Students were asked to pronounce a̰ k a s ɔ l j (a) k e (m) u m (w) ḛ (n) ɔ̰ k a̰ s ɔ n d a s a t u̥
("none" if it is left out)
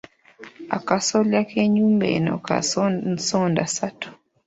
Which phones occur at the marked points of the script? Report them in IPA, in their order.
a, ɲ, b, n

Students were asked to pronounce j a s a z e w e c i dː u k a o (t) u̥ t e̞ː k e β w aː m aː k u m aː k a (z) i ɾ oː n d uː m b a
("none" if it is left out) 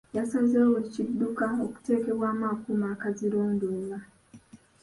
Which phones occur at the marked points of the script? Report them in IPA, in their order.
k, z

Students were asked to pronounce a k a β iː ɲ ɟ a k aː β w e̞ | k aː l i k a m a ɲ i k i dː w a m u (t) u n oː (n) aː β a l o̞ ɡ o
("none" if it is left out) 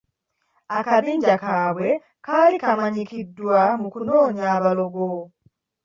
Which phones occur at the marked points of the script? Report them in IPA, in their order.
k, ɲ

